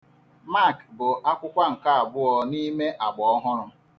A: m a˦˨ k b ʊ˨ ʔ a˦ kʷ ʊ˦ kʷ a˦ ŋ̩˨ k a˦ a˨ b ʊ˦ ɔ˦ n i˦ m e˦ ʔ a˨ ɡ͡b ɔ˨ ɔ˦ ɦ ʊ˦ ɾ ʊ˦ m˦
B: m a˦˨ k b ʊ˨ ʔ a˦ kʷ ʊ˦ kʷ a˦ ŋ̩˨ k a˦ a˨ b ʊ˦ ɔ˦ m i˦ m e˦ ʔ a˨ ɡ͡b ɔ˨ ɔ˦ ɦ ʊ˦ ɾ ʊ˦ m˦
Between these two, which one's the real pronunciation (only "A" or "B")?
A